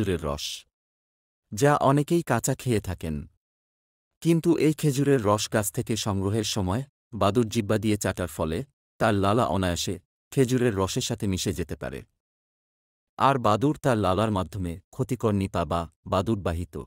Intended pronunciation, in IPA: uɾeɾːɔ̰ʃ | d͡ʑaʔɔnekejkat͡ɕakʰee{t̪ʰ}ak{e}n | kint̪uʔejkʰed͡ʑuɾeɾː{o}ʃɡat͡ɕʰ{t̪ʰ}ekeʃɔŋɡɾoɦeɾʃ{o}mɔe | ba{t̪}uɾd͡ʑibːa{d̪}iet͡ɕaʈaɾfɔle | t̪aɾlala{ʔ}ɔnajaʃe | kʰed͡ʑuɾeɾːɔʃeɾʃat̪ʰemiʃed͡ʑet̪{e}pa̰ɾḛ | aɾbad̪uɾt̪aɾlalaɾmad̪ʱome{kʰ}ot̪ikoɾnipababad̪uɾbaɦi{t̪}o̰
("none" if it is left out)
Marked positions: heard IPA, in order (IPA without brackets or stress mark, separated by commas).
t̪ʰ, e, ɔ, t̪ʰ, ɔ, d̪, d̪, ʔ, e, kʰ, t̪